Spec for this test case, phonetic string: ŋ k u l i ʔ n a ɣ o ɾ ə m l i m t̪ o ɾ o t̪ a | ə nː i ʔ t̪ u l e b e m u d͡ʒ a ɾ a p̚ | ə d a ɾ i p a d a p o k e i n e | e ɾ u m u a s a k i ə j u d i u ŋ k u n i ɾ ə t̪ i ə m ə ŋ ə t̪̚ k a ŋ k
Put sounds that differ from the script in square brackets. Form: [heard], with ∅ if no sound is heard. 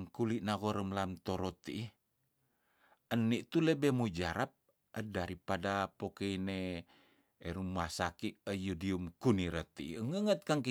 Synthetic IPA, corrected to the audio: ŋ k u l i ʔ n a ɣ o ɾ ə m l [a] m t̪ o ɾ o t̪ [i] | ə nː i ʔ t̪ u l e b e m u d͡ʒ a ɾ a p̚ | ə d a ɾ i p a d a p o k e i n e | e ɾ u m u a s a k i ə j u d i u [m] k u n i ɾ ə t̪ i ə [ŋ] ə ŋ ə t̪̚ k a ŋ k